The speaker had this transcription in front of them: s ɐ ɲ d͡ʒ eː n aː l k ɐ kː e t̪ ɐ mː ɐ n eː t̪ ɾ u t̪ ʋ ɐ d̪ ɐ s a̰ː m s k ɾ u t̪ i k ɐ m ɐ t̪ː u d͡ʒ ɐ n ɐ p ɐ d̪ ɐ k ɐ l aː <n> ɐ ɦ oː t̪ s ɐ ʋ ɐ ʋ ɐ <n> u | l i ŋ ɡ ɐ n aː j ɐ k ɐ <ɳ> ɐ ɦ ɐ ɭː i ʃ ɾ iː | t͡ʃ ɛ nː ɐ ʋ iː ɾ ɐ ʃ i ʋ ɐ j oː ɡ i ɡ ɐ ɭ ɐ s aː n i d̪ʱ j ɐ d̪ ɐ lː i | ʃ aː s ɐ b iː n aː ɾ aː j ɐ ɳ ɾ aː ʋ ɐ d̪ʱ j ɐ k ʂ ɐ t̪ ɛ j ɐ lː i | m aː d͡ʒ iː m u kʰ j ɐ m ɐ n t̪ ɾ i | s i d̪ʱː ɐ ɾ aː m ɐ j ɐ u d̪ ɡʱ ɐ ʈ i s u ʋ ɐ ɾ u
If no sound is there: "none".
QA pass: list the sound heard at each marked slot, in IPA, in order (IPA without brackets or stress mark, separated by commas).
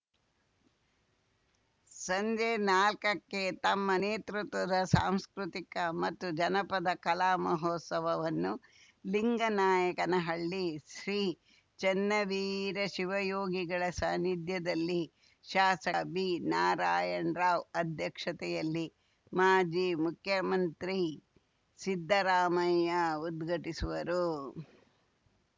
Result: m, nː, n